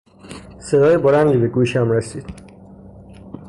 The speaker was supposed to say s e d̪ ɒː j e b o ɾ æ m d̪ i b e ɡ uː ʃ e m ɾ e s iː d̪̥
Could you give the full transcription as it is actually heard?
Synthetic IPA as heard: s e d̪ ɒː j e b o ɾ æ n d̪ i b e ɡ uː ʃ æ m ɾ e s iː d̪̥